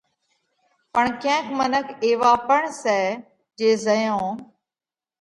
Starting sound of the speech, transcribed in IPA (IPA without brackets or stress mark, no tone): p